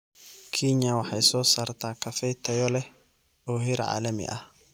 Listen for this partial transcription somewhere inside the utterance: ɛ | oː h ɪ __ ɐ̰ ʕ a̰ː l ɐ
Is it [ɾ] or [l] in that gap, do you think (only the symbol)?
ɾ